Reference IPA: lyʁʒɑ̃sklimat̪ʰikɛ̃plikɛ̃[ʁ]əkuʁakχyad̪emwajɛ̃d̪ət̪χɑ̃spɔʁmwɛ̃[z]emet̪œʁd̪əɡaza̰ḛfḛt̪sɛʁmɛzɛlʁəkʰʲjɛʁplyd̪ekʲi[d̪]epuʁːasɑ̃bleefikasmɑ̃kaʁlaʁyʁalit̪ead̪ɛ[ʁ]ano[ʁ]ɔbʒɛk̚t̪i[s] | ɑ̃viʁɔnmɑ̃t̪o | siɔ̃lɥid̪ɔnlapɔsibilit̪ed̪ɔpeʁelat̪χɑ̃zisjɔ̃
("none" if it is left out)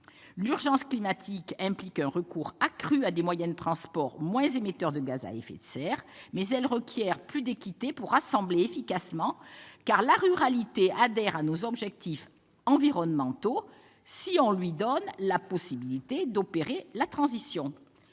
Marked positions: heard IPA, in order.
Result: ʁ, z, t̪, ʁ, z, f

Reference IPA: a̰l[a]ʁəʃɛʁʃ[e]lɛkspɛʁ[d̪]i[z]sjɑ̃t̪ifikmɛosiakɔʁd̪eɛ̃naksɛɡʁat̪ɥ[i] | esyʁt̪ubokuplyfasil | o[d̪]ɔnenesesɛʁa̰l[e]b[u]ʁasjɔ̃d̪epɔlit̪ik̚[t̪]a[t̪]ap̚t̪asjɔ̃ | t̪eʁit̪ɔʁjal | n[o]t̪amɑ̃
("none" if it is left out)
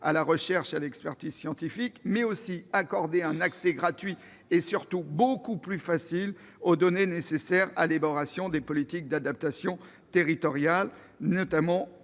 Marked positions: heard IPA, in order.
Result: a, a, t̪, z, i, d̪, e, ɔ, d̪, d̪, ɔ

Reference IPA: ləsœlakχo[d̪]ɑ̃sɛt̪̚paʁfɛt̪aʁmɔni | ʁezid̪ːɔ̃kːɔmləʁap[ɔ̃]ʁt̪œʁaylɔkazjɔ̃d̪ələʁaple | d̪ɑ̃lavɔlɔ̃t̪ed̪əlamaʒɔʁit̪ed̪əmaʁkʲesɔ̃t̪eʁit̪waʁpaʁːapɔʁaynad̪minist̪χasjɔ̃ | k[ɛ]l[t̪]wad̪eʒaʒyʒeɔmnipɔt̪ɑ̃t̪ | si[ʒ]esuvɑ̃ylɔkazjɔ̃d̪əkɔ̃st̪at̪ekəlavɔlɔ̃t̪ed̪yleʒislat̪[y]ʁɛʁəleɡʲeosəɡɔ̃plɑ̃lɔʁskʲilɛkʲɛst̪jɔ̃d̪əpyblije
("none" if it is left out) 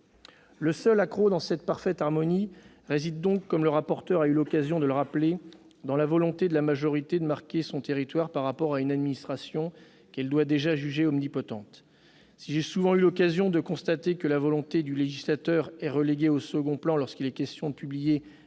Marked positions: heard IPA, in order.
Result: d̪, ɔ, ɛ, d̪, ʒ, œ

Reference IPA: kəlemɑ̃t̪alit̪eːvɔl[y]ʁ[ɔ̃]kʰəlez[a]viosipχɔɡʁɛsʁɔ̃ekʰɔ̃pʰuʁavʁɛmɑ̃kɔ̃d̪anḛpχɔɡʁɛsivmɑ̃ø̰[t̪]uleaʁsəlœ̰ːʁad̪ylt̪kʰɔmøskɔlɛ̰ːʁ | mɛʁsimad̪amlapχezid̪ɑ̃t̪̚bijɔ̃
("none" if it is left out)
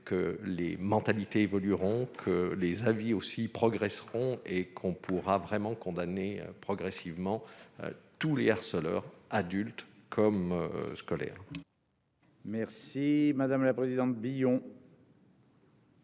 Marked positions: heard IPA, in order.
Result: y, ɔ̃, a, t̪

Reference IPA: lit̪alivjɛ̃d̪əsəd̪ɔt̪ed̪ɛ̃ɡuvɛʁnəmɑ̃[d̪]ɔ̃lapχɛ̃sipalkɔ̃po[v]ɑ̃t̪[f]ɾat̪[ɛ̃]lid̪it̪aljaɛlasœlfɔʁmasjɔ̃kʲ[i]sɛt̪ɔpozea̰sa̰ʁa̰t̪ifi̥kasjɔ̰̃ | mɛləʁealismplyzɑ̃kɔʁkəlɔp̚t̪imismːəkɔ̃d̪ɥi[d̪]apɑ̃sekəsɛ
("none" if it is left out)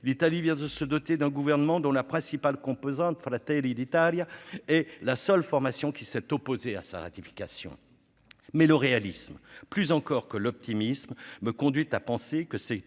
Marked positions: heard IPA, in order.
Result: d̪, z, f, ɛ, i, t̪

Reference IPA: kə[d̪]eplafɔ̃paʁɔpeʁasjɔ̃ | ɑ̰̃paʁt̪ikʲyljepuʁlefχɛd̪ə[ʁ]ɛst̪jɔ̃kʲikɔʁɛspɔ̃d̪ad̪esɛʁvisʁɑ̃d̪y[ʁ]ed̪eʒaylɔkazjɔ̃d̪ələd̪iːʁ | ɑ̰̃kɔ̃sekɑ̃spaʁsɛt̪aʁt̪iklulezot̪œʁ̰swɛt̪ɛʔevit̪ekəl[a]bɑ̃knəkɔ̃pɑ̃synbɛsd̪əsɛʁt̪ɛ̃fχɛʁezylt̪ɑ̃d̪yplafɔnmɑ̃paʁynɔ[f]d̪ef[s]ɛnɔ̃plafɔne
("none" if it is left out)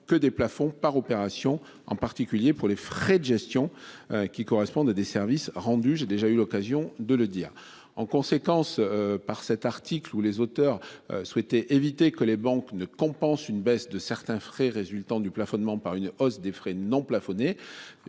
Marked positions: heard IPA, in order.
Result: d̪, ʒ, ʒ, e, s, χ

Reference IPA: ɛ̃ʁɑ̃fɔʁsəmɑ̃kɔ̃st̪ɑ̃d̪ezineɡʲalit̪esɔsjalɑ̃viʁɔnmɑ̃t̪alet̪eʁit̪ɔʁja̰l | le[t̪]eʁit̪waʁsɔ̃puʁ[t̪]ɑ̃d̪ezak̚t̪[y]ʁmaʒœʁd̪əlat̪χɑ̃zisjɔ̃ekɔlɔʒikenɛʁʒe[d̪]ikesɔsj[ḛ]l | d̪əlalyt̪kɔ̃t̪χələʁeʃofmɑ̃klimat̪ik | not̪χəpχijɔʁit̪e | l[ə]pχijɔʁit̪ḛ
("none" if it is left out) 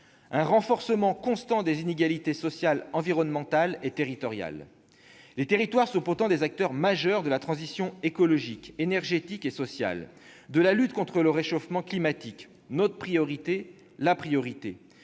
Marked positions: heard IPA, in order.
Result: t̪, t̪, œ, t̪, a̰, a

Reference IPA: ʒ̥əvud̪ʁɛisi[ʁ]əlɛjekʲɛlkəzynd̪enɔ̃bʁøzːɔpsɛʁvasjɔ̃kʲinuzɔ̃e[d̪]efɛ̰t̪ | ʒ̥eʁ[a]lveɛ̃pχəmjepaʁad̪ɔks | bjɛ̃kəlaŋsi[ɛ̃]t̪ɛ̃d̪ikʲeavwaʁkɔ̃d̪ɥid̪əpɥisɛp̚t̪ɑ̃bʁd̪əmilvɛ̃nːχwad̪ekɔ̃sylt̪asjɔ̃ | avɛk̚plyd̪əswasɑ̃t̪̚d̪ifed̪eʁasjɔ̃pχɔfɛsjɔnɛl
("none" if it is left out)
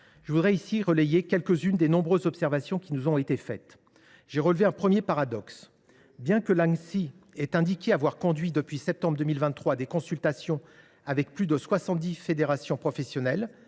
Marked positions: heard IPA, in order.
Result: ʁ, t̪, ə, ɛ

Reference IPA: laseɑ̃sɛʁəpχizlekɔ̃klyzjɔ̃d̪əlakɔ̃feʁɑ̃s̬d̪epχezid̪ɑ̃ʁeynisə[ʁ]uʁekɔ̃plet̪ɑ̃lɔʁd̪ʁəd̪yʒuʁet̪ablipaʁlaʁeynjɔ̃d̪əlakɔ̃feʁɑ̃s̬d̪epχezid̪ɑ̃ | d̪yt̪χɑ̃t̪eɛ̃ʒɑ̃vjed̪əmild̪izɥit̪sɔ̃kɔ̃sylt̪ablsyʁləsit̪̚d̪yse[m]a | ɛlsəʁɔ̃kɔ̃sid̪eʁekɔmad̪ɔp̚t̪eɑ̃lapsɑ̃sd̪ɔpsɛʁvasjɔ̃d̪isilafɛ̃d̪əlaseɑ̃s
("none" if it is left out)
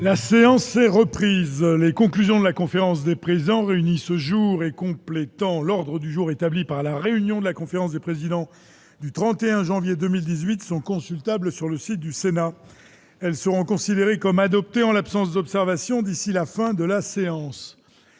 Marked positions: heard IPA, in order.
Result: ʒ, n

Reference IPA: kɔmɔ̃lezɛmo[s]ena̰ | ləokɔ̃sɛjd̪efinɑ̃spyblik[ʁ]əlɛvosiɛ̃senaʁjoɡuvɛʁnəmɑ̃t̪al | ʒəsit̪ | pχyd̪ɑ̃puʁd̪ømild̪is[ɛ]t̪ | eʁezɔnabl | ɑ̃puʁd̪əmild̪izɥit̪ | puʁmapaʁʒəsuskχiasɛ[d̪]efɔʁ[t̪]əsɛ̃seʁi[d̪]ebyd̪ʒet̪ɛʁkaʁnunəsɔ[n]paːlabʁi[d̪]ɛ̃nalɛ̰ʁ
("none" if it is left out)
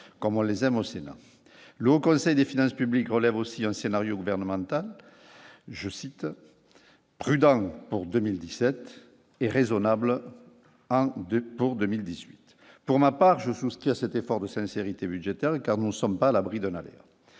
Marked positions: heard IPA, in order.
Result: s, ʁ, ɛ, t̪, d̪, t̪, m, d̪

